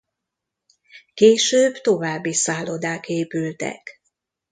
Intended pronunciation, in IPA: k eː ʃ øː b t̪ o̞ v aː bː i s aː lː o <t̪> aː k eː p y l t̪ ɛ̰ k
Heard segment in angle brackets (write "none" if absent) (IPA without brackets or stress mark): d̪